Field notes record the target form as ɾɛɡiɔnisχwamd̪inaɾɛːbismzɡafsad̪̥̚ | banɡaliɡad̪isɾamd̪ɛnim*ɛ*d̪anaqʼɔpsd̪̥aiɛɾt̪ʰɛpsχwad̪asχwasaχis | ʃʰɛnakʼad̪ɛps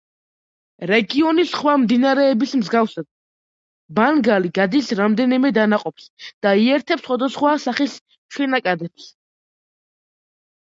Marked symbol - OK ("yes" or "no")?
yes